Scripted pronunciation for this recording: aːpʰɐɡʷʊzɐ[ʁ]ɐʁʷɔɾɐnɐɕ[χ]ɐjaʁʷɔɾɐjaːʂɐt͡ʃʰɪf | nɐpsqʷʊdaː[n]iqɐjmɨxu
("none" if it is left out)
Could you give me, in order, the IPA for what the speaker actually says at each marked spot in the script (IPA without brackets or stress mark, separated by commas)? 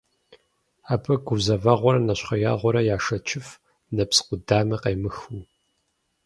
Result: v, χ, m